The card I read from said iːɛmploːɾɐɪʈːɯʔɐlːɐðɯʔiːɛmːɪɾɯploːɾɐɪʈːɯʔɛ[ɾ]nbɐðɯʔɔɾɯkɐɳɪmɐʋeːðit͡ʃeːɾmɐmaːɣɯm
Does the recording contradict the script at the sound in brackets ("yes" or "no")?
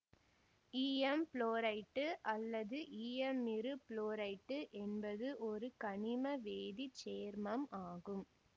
yes